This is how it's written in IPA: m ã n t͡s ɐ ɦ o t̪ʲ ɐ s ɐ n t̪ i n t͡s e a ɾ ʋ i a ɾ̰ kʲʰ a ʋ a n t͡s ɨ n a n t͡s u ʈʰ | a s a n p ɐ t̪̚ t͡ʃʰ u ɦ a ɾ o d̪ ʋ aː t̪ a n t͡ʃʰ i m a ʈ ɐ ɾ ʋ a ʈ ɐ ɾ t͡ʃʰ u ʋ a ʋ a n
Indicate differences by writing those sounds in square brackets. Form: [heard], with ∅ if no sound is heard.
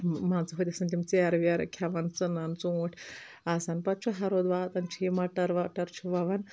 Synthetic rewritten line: m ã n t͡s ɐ ɦ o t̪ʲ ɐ s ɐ n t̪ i [m] t͡s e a ɾ ʋ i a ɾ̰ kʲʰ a ʋ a n t͡s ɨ n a n t͡s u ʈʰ | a s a n p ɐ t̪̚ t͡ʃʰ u ɦ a ɾ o d̪ ʋ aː t̪ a n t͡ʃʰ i m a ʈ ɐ ɾ ʋ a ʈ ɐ ɾ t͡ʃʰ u ʋ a ʋ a n